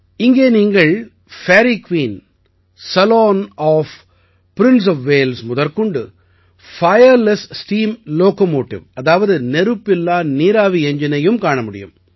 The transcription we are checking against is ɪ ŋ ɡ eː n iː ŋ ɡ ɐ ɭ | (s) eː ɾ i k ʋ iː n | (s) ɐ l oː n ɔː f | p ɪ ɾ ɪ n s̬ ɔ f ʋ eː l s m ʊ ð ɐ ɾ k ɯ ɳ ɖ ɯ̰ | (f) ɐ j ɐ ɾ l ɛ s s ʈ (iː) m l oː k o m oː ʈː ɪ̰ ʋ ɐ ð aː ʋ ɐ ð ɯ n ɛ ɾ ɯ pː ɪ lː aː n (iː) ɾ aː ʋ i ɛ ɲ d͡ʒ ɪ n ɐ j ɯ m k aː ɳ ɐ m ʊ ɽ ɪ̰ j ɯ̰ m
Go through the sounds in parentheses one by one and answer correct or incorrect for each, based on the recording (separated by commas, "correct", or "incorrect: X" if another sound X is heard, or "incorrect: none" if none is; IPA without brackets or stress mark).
incorrect: f, correct, correct, correct, correct